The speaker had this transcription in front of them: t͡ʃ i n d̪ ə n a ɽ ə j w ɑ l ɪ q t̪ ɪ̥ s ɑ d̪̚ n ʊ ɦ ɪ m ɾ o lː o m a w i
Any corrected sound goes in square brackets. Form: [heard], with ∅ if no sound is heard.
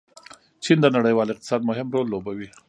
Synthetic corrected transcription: t͡ʃ i n d̪ ə n a ɽ ə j w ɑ l ɪ q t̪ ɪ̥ s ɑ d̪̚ [m] ʊ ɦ ɪ m ɾ o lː o [b] a w i